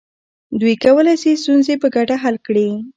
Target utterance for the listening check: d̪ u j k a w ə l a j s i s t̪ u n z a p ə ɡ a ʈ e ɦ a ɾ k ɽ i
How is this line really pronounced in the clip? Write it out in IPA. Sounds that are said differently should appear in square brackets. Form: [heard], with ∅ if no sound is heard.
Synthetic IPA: d̪ u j k a w ə l a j s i s t̪ u n z [e] p ə ɡ a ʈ [a] ɦ a [l] k ɽ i